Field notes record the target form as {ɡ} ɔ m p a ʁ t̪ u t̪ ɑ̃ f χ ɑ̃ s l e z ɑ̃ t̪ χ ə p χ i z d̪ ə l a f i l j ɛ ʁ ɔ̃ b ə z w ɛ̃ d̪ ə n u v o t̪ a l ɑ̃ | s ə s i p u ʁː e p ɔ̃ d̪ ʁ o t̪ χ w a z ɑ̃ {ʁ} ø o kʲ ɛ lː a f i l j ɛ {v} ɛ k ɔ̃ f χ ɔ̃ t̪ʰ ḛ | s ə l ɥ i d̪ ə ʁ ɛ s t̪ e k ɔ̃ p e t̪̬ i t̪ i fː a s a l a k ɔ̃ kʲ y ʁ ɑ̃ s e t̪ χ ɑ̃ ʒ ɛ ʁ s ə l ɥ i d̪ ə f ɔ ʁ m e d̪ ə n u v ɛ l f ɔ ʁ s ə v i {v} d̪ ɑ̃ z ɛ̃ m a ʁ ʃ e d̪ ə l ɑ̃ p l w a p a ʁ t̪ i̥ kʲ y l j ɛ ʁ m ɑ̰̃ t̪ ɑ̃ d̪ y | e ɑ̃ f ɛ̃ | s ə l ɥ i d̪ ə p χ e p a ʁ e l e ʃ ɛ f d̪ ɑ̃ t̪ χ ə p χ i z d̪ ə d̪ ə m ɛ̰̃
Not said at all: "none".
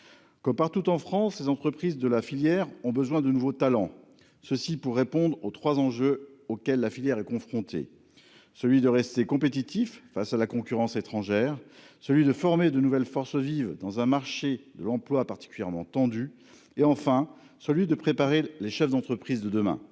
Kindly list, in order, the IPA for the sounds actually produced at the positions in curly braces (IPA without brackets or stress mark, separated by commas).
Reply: k, ʒ, ʁ, v